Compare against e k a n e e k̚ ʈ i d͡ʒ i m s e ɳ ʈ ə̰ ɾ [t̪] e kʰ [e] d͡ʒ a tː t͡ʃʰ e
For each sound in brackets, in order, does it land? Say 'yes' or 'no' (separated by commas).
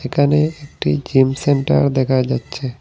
no, no